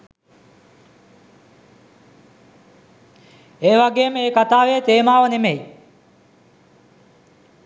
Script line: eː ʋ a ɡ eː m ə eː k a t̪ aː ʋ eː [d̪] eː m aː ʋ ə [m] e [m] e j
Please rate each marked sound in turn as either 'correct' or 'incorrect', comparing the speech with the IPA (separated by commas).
incorrect, incorrect, correct